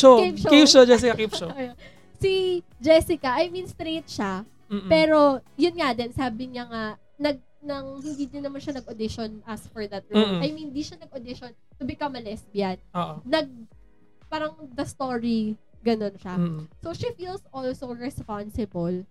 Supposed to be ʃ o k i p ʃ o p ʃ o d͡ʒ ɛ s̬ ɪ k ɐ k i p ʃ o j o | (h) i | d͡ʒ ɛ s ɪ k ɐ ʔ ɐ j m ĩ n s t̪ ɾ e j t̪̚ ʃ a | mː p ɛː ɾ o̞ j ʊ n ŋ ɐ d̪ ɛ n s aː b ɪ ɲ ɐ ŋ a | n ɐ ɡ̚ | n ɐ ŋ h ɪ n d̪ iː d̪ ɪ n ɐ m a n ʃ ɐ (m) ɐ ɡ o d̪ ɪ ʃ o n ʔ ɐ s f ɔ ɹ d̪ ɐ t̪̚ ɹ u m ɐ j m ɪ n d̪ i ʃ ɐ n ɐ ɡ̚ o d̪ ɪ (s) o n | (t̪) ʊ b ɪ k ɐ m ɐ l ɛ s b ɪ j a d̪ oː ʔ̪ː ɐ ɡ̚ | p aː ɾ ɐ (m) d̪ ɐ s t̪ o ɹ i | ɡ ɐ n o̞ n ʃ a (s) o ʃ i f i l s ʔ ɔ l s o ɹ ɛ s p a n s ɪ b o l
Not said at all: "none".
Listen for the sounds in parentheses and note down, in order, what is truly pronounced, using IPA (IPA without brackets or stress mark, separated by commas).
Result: s, n, ʃ, t̪, ŋ, s